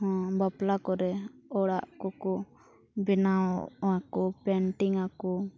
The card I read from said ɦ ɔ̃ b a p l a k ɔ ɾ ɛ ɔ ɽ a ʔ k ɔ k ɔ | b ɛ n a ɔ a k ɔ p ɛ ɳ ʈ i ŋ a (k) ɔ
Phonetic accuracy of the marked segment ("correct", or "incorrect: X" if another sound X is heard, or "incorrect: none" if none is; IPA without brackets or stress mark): correct